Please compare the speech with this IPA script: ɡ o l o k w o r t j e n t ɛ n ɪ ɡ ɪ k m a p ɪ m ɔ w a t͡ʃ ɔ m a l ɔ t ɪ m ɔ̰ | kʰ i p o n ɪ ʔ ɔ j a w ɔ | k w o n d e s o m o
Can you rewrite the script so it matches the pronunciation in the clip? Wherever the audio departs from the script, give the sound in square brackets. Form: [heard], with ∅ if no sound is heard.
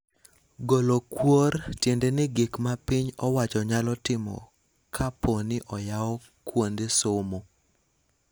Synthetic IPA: ɡ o l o k w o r t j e n [d] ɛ n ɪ ɡ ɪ k m a p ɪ [ɲ] ɔ w a t͡ʃ ɔ [ɲ] a l ɔ t ɪ m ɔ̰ | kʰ [a] p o n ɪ ʔ ɔ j a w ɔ | k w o n d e s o m o